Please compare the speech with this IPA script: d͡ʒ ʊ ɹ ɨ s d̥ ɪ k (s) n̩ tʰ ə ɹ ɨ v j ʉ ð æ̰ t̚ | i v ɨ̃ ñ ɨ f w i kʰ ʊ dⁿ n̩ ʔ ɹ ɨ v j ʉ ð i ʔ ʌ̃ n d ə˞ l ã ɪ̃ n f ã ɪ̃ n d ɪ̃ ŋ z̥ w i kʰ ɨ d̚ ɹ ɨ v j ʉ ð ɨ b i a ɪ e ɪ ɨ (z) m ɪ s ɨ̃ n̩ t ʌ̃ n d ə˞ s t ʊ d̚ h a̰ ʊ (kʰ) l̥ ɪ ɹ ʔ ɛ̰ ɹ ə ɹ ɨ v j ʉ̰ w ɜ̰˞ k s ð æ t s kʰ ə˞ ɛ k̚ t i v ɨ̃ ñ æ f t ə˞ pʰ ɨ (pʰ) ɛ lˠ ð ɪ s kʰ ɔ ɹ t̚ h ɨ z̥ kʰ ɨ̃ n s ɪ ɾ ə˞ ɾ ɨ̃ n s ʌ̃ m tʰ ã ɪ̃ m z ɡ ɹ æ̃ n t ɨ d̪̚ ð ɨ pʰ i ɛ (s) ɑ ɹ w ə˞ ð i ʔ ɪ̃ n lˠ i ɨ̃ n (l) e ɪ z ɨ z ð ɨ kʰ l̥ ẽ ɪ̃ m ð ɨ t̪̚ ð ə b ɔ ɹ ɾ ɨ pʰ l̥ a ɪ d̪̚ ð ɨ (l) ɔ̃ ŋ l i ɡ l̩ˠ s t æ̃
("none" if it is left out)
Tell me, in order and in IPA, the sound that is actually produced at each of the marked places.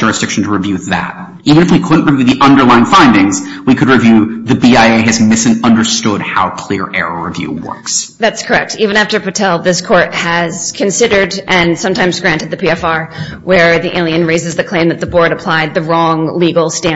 ʃ, z, kʰ, tʰ, f, ɹ, ɹ

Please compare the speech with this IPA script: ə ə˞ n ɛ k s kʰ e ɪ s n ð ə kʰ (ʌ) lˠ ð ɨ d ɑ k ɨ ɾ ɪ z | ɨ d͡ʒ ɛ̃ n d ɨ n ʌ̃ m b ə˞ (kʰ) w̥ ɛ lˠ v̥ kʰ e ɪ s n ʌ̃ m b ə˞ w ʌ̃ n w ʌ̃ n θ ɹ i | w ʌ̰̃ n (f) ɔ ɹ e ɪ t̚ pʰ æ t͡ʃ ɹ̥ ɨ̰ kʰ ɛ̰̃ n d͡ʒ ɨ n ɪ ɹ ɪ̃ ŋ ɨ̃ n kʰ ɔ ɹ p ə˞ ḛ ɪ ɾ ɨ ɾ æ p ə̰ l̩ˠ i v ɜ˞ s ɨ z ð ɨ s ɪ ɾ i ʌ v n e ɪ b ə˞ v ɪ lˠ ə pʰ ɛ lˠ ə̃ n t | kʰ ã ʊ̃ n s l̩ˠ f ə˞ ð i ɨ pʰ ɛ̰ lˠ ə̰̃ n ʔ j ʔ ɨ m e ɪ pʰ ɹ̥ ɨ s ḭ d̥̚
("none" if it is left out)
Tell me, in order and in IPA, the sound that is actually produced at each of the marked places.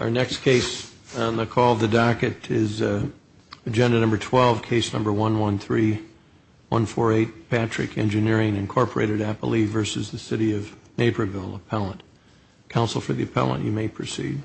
ɔ, tʰ, f

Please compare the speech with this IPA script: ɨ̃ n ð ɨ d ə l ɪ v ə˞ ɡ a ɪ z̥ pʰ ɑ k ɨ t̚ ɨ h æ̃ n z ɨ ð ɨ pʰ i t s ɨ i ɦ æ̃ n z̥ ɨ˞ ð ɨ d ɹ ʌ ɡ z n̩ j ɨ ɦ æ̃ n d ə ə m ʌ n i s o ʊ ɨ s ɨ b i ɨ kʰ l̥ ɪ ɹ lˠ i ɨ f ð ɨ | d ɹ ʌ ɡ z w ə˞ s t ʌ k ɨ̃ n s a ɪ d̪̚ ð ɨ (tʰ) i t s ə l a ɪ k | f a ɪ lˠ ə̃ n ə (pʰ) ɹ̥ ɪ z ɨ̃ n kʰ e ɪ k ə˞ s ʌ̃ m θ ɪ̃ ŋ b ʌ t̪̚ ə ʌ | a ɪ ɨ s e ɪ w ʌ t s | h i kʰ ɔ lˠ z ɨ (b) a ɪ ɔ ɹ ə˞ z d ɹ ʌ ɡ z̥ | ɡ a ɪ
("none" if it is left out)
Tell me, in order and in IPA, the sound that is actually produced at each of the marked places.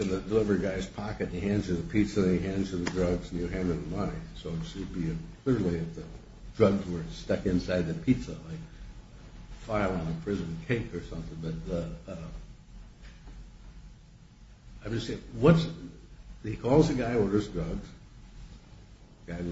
pʰ, pʰ, ɡ

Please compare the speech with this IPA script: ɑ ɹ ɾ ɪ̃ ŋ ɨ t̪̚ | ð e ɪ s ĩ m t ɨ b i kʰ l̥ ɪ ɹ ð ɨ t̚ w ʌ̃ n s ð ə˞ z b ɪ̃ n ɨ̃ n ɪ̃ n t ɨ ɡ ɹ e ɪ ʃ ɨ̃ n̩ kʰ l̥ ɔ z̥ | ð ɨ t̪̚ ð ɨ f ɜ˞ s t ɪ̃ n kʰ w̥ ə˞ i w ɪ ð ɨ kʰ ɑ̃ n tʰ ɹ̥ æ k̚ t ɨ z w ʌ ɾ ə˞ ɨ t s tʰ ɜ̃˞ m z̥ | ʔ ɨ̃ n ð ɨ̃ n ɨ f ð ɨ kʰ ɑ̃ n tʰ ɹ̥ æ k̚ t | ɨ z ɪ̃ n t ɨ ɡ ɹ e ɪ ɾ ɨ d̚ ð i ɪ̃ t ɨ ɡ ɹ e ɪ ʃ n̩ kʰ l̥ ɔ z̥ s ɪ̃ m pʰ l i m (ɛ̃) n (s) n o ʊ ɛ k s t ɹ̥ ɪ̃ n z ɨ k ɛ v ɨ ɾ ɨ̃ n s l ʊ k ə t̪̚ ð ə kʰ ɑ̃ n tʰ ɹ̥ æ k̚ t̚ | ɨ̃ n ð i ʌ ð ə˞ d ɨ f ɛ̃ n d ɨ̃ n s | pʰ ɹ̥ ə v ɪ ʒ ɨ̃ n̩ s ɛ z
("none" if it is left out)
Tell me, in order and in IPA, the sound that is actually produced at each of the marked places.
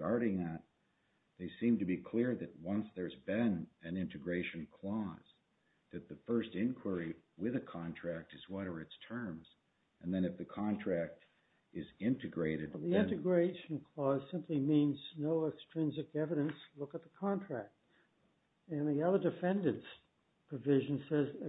ĩ, z

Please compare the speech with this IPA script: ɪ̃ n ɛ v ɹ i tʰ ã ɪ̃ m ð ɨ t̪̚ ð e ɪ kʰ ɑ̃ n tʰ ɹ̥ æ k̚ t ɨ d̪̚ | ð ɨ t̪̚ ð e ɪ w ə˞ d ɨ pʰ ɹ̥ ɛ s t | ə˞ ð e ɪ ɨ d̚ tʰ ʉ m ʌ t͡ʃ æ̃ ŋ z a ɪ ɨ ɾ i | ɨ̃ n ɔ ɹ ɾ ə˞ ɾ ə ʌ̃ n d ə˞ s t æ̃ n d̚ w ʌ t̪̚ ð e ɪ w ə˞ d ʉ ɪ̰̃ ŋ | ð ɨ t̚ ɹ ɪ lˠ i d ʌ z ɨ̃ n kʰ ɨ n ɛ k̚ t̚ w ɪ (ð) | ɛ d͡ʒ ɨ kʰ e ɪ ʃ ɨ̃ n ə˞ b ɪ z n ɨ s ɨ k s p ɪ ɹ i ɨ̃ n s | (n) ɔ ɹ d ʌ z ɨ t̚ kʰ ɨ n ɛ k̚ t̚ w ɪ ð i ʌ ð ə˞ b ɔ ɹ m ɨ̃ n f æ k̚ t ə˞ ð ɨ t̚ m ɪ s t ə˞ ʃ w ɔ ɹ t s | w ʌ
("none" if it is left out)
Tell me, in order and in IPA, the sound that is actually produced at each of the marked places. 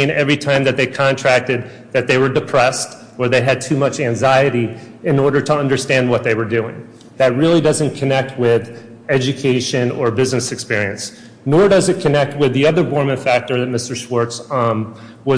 ð, n

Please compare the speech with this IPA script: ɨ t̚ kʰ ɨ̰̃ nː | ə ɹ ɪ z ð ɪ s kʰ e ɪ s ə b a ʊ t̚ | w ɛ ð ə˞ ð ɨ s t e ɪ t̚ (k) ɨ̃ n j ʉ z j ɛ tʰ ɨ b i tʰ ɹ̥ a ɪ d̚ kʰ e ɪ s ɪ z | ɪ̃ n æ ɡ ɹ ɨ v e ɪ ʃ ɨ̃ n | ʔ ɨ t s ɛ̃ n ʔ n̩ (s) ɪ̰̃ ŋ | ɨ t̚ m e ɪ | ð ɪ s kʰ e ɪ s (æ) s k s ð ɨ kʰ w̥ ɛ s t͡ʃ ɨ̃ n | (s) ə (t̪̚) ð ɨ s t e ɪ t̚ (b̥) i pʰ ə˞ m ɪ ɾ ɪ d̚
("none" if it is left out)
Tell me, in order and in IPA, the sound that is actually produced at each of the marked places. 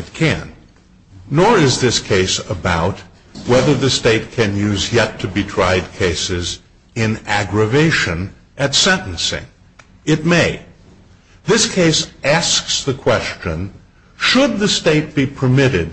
kʰ, s, æ, ʃ, d̪̚, b̥

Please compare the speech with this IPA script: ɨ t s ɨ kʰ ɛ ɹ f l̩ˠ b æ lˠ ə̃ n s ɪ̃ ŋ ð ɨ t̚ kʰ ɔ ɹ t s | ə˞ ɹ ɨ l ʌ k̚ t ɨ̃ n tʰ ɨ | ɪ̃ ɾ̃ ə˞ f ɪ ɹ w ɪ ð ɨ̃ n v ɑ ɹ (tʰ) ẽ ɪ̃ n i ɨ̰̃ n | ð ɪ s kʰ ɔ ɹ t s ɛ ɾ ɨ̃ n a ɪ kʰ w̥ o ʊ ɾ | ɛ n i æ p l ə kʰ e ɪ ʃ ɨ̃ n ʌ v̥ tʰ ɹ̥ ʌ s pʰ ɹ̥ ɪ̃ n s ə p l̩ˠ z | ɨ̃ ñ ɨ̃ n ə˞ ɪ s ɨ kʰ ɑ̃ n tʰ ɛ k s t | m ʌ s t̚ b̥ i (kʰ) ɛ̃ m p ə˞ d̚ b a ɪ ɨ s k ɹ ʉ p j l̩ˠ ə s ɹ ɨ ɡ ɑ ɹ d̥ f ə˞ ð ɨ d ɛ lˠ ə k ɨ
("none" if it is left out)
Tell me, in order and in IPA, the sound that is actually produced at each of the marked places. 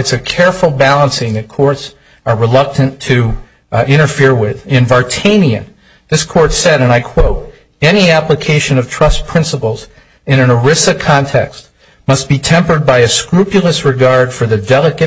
tʰ, tʰ

